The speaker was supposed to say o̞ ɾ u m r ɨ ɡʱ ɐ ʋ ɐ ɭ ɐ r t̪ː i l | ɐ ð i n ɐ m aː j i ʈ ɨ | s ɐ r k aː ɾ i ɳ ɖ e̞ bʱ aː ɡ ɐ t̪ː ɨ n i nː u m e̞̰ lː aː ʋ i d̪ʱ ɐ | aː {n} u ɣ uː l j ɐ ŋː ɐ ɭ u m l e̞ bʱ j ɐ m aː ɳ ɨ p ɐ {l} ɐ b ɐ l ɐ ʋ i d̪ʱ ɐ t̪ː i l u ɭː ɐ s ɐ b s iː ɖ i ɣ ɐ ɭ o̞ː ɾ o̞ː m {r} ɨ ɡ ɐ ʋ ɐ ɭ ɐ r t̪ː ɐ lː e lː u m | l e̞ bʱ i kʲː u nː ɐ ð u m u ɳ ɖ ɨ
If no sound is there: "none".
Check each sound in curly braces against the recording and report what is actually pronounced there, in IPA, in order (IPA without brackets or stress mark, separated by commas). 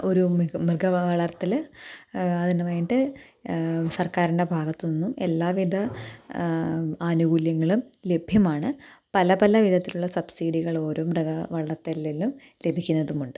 n, l, r